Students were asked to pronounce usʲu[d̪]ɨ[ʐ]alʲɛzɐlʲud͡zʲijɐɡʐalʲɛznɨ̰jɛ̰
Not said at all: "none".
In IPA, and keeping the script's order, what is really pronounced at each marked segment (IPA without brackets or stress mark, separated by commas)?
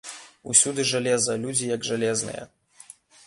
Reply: d̪, ʐ